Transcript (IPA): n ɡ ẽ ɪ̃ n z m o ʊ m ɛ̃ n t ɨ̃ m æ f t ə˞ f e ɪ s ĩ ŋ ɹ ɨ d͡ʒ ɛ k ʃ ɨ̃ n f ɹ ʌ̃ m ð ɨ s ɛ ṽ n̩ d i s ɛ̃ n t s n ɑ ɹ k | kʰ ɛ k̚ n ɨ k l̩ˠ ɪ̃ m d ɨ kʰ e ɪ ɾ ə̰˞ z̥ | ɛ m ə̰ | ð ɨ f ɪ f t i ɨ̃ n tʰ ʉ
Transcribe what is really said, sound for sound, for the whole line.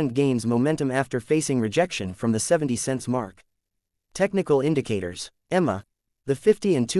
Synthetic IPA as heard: n ɡ ẽ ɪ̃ n z m o ʊ m ɛ̃ n t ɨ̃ m æ f t ə˞ f e ɪ s ɪ̃ ŋ ɹ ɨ d͡ʒ ɛ k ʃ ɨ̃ n f ɹ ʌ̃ m ð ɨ s ɛ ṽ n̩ t i s ɛ̃ n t s m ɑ ɹ k | tʰ ɛ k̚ n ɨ k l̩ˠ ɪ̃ n d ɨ kʰ e ɪ ɾ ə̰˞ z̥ | ɛ m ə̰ | ð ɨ f ɪ f t i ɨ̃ n tʰ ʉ